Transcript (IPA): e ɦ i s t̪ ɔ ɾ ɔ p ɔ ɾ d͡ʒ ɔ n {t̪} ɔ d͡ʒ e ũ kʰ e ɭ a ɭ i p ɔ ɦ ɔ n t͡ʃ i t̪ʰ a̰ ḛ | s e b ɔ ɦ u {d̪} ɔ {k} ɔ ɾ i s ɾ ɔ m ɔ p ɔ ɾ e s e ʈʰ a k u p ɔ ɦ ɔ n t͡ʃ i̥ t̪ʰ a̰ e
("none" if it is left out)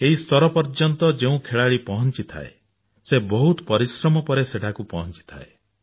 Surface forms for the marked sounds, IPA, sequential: t̪, t̪, p

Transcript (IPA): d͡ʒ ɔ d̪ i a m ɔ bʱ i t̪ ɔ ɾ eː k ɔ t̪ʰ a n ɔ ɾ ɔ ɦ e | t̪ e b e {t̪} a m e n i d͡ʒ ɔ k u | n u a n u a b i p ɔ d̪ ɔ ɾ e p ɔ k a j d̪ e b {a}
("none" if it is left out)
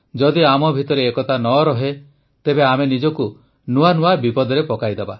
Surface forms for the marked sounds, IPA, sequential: none, a

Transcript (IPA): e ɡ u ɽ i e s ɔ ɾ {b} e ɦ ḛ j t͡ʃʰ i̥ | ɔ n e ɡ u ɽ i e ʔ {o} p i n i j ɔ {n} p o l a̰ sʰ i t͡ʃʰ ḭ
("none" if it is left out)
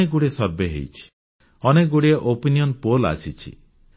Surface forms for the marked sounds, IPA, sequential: b, o, n

